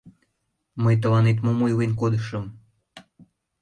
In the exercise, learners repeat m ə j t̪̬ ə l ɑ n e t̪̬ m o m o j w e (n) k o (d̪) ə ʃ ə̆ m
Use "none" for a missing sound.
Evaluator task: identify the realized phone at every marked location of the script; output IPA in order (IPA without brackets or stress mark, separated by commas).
n, d̪